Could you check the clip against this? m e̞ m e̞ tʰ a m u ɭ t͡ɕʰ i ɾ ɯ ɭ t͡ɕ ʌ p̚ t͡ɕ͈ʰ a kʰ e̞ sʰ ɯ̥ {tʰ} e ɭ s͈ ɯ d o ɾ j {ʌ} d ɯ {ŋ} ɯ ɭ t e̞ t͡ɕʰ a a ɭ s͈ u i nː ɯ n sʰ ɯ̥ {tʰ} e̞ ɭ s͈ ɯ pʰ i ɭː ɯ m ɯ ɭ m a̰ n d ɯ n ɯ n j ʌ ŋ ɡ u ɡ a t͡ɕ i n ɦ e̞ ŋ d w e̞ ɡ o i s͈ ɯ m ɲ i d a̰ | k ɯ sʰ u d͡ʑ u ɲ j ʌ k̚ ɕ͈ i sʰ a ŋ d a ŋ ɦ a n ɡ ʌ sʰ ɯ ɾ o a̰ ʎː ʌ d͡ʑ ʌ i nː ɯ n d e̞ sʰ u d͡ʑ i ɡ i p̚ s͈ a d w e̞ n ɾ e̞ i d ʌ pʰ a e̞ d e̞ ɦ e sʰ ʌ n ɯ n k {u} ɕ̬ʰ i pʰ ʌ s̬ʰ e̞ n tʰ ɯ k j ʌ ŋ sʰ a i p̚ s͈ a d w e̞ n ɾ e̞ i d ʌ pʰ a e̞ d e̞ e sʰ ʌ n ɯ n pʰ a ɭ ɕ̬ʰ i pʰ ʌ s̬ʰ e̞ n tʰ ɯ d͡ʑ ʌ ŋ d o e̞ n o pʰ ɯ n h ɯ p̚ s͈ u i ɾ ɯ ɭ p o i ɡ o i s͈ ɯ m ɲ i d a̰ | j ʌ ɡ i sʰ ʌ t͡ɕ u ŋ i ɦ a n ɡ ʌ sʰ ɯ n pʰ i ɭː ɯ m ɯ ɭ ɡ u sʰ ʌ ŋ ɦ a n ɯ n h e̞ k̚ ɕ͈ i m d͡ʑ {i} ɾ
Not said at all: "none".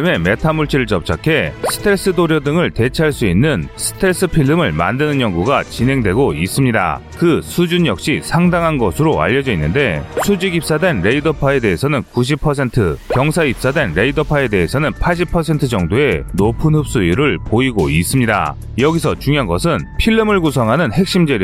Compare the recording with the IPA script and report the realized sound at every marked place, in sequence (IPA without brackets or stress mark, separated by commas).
tʰ, ʌ, ŋ, tʰ, u, e